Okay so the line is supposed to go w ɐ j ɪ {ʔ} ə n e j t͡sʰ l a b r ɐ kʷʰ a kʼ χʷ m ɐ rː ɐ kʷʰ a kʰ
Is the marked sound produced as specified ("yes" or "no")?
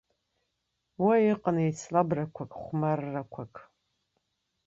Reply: no